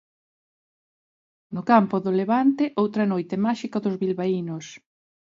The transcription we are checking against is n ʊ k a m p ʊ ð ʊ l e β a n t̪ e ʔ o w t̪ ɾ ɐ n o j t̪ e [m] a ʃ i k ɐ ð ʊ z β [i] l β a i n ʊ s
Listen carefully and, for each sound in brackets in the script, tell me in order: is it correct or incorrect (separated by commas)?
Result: correct, correct